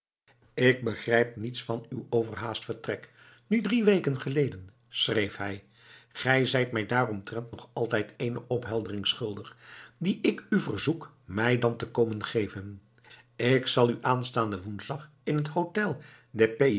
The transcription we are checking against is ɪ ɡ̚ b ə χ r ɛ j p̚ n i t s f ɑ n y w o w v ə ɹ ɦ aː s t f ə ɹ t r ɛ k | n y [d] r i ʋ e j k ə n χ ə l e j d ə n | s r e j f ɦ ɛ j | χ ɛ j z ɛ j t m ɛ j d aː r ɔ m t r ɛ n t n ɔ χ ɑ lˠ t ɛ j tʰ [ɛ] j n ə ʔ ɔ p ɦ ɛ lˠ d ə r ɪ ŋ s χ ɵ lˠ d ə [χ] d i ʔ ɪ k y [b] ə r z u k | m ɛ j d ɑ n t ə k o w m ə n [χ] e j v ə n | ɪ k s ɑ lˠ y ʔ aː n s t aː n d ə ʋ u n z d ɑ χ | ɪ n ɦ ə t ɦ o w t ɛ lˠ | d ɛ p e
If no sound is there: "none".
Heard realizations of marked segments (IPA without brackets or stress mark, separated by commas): d, e, χ, v, χ